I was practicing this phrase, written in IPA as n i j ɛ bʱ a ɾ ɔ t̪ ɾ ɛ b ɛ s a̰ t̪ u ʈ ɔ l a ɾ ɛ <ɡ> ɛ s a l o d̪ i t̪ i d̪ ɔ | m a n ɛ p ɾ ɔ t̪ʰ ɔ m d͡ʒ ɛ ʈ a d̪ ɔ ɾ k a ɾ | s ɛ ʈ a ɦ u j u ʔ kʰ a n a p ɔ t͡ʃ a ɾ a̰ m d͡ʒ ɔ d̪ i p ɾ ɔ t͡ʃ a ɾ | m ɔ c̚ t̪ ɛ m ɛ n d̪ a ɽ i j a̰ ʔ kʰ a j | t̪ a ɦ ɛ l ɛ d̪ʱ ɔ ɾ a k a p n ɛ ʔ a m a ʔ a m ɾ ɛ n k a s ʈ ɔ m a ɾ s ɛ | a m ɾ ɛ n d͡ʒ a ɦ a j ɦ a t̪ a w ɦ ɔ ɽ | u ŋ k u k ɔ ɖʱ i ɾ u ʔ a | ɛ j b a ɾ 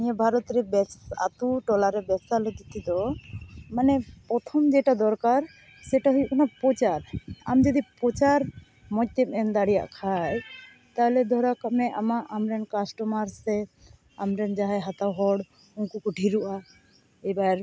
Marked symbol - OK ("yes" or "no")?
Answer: no